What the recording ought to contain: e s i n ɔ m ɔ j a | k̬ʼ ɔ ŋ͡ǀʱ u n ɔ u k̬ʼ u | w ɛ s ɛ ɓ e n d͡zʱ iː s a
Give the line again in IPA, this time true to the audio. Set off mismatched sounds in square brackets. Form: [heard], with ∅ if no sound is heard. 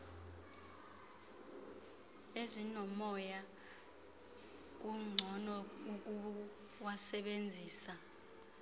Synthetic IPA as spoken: e [z] i n ɔ m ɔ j a | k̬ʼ [u] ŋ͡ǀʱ [ɔ] n ɔ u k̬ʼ u | w [a] s ɛ ɓ e n d͡zʱ iː s a